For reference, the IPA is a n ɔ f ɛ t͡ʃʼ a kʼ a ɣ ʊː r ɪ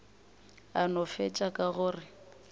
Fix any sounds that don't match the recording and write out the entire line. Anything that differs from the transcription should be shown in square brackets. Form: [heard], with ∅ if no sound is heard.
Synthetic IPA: a n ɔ f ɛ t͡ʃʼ a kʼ a ɣ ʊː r ɪ